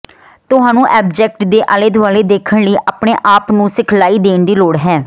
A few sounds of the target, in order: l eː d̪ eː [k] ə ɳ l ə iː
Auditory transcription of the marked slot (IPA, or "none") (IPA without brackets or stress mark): kʰ